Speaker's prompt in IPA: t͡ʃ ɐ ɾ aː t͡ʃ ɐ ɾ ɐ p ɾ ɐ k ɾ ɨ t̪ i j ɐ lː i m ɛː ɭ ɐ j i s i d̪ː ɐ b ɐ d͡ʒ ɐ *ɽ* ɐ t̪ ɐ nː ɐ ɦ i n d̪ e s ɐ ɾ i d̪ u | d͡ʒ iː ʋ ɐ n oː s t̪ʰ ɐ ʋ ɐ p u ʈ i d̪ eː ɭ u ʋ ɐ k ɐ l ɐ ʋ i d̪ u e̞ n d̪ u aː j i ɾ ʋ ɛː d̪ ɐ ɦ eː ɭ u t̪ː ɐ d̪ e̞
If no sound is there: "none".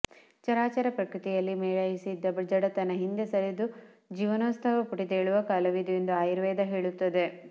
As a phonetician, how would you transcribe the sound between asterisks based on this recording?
ɽ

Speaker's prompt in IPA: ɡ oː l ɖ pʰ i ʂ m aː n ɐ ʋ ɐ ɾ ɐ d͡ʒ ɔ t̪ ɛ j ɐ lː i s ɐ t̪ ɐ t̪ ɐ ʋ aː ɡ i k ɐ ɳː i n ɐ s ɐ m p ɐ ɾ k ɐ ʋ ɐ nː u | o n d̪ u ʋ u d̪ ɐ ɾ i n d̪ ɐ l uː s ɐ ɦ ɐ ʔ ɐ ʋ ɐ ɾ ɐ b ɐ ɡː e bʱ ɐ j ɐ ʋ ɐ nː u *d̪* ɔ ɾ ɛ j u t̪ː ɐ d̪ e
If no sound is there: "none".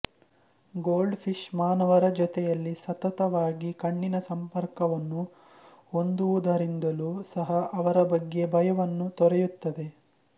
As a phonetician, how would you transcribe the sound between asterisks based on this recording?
t̪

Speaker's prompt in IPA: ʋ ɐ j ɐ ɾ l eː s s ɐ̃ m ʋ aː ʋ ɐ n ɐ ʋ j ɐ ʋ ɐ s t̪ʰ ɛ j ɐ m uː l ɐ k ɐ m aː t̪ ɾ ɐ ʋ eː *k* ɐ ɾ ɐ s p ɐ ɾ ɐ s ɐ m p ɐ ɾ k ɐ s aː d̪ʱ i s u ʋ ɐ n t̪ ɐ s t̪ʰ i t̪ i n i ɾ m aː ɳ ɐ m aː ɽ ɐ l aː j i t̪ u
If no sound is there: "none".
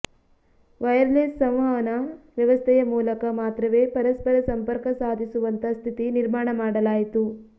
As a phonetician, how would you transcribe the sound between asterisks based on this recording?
p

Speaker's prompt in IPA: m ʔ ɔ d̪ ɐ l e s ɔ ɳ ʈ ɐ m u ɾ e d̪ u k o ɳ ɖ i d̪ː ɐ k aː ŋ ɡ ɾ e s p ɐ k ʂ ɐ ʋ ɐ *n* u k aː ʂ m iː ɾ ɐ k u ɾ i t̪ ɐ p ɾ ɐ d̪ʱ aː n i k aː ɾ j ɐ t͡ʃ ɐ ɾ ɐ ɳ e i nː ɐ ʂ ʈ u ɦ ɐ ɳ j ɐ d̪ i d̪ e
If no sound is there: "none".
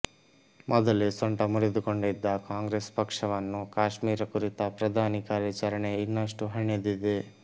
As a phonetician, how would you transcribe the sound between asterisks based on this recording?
nː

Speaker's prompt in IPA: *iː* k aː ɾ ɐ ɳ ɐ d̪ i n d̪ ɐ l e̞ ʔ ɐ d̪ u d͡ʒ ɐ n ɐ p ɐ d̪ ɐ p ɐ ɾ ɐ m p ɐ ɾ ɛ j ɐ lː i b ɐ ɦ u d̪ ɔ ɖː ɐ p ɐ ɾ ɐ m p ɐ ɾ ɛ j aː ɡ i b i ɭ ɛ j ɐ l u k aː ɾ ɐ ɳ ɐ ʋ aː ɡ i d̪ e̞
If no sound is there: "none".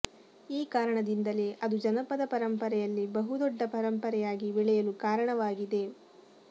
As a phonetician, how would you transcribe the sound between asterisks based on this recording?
iː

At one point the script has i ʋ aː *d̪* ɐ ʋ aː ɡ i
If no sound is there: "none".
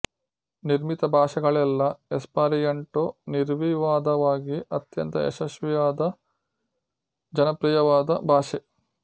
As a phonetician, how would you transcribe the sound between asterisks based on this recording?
d̪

